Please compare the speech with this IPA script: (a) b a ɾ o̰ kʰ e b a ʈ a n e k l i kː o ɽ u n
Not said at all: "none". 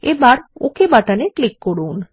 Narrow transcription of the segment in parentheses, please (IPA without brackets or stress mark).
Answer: e